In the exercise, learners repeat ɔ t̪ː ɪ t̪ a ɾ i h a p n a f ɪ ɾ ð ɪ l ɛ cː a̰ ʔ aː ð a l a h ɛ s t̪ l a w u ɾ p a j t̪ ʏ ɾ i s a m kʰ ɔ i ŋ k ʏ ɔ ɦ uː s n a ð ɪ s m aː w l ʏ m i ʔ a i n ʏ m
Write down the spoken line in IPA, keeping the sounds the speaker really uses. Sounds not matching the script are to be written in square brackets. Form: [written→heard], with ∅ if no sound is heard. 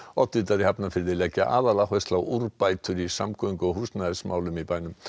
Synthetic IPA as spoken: ɔ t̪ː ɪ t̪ a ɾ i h a p n a f ɪ ɾ ð ɪ l ɛ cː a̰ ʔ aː ð a l a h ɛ s t̪ l a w u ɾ p a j t̪ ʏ ɾ i s a m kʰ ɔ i ŋ k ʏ ɔ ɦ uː s n a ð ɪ s m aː w l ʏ m i [ʔ→p] a [i→j] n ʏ m